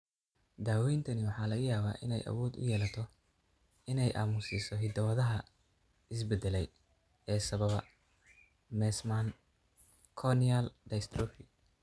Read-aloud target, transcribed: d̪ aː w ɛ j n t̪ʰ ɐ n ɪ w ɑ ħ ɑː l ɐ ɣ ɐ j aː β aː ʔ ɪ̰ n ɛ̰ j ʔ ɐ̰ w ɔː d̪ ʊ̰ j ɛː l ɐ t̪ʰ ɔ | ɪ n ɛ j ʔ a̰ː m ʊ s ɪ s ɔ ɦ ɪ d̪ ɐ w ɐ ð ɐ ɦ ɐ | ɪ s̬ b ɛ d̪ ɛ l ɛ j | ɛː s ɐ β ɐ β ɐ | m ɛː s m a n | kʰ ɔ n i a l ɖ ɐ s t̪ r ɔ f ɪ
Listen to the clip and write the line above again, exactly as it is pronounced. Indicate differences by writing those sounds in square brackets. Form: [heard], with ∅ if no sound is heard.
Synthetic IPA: d̪ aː w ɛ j n t̪ʰ ɐ n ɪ w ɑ ħ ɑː l ɐ ɣ ɐ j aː β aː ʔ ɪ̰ n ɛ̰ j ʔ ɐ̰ w ɔː d̪ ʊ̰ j ɛː l ɐ t̪ʰ ɔ | ɪ n ɛ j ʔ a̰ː m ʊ s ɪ s ɔ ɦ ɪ d̪ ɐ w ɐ ð ɐ ɦ ɐ | ɪ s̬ b ɛ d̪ ɛ l ɛ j | ɛː s ɐ β ɐ β ɐ | m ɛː s m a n | kʰ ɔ n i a l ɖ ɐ s t̪ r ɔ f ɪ